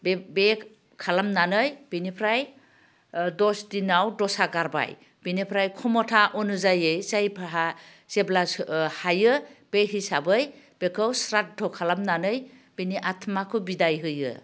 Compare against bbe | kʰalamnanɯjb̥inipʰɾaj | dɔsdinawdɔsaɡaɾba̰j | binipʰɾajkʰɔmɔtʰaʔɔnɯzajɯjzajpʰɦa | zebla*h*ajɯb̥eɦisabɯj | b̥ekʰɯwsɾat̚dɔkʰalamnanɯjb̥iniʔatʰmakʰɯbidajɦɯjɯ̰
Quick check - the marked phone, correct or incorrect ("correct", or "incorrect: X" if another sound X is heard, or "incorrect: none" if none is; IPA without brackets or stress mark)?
correct